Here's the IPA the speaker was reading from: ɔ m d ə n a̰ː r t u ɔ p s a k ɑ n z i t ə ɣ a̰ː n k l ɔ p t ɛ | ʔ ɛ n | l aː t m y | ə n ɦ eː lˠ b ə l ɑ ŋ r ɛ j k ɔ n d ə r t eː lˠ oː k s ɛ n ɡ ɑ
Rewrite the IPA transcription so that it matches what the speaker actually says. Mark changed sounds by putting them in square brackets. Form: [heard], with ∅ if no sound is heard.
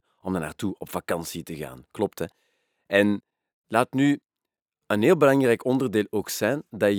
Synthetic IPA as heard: ɔ m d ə n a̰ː r t u ɔ p [f] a k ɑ n [s] i t ə ɣ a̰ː n k l ɔ p t ɛ | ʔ ɛ n | l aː t [n] y | ə n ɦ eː lˠ b ə l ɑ ŋ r ɛ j k ɔ n d ə r [d] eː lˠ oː k s ɛ n [d] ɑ